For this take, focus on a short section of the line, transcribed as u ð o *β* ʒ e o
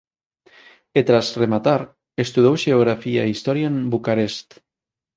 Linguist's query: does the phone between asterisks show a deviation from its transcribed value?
yes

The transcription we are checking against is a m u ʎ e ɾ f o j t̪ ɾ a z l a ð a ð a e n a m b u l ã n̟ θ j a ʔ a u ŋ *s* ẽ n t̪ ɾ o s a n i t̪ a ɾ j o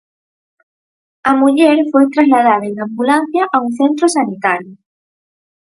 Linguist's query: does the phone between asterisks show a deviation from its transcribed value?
yes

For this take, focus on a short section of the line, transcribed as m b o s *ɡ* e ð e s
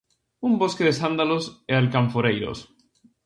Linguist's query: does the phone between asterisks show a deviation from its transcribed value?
yes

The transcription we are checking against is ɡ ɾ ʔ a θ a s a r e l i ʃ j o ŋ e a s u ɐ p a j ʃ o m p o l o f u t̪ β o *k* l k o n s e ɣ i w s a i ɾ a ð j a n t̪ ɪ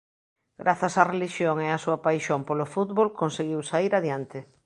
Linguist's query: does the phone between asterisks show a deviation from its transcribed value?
yes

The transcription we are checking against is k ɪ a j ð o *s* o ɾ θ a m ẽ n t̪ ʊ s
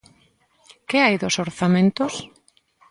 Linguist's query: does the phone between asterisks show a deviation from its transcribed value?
no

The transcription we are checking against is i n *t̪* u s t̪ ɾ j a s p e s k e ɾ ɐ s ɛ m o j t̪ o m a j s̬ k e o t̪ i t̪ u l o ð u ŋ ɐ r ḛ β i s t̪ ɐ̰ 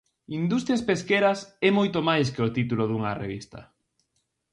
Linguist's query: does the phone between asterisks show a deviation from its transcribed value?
yes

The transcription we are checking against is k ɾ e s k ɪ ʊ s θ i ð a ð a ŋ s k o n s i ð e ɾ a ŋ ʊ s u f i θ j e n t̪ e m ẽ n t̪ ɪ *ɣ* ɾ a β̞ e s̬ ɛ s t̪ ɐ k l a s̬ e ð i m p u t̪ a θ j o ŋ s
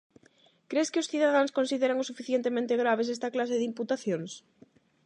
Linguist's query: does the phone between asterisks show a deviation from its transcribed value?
no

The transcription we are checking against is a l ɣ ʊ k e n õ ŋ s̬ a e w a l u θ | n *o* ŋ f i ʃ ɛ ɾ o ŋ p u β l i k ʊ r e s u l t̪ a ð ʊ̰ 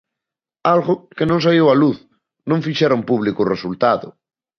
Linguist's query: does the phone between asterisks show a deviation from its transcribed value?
yes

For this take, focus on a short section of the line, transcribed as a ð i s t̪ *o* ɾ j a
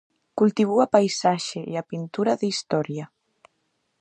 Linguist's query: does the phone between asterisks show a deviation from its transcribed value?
yes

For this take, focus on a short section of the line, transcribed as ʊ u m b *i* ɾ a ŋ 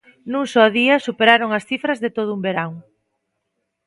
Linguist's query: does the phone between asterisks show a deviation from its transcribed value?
yes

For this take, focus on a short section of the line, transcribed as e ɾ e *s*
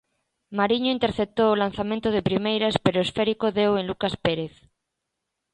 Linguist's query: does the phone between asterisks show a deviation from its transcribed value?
yes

